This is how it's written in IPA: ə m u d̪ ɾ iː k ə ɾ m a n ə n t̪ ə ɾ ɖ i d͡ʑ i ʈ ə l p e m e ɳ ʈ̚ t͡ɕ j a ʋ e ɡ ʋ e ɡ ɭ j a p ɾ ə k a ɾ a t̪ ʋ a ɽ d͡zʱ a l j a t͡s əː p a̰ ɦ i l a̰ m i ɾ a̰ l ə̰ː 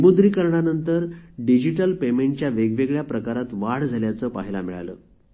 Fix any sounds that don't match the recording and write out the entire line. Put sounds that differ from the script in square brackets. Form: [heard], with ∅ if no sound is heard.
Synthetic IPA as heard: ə m u d̪ ɾ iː k ə ɾ [ɳ] a n ə n t̪ ə ɾ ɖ i d͡ʑ i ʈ ə l p e m e ɳ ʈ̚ t͡ɕ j a ʋ e ɡ ʋ e ɡ ɭ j a p ɾ ə k a ɾ a t̪ ʋ a ɽ d͡zʱ a l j a t͡s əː p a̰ ɦ i l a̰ m i [ɭ] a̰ l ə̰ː